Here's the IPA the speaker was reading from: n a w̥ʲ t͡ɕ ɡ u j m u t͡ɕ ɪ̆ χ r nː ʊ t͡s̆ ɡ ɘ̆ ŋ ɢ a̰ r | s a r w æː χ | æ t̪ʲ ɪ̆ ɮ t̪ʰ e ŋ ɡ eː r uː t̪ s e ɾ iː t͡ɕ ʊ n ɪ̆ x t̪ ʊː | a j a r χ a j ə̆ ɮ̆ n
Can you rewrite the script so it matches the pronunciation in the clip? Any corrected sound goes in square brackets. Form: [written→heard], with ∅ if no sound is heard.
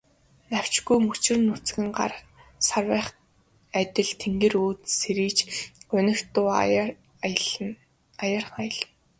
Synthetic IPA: n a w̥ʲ t͡ɕ ɡ u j m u t͡ɕ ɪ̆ [χ→∅] r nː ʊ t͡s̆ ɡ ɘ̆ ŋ ɢ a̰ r | s a r w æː χ | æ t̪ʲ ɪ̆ ɮ t̪ʰ e ŋ ɡ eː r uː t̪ s e ɾ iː t͡ɕ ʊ n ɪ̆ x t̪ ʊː | a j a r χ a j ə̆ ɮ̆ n